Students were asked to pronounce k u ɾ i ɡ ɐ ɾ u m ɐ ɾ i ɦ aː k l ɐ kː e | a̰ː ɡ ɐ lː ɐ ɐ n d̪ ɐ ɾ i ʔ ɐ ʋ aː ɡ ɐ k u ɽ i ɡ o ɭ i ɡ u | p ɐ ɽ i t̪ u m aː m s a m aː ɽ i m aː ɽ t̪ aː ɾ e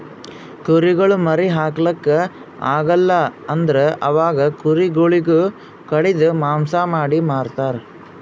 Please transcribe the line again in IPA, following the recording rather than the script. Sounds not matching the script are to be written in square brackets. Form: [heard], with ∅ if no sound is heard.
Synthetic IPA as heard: k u ɾ i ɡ ɐ [ɭ] u m ɐ ɾ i ɦ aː k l ɐ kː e | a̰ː ɡ ɐ lː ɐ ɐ n d̪ ɐ ɾ [e] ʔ ɐ ʋ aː ɡ ɐ k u [ɾ] i ɡ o ɭ i ɡ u | [k] ɐ ɽ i [d̪] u m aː m s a m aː ɽ i m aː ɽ t̪ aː ɾ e